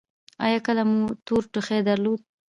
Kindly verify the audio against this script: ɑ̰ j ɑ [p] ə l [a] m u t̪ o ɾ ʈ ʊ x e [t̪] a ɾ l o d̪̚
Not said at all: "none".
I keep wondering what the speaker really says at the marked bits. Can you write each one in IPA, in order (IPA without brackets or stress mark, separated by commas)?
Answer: k, a, d̪